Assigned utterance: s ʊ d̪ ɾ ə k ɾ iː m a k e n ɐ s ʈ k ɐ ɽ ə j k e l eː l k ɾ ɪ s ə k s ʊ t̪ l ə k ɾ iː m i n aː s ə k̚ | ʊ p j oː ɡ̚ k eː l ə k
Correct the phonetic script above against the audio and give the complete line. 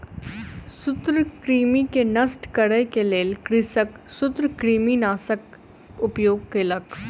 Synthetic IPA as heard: s ʊ t̪ ɾ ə k ɾ iː m i k e n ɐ s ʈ k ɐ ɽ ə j k e l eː l k ɾ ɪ s ə k s ʊ t̪ ɾ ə k ɾ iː m i n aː s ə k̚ | ʊ p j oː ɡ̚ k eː l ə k